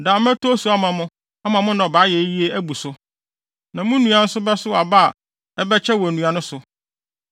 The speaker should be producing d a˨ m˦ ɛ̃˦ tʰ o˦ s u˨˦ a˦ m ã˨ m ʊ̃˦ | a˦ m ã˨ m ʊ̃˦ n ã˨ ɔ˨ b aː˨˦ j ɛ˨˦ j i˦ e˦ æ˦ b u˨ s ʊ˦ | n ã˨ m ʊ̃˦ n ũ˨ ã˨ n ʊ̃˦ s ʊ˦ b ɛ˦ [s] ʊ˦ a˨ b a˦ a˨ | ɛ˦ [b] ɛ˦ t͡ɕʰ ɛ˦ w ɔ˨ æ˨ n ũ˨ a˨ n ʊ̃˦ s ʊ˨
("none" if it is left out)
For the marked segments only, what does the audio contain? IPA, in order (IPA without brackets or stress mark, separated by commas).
s, b